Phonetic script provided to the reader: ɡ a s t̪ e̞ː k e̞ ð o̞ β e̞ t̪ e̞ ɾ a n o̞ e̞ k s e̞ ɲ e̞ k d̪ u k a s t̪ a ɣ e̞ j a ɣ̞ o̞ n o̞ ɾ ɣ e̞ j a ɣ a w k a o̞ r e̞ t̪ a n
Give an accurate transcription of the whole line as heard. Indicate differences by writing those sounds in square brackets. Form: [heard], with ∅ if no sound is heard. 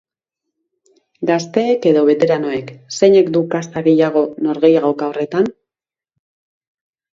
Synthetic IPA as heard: ɡ a s t̪ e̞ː k e̞ ð o̞ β e̞ t̪ e̞ ɾ a n o̞ e̞ k s e̞ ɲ e̞ k d̪ u k a s t̪ a ɣ e̞ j a ɣ̞ o̞ n o̞ ɾ ɣ e̞ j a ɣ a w k a o̞ r e̞ t̪ a n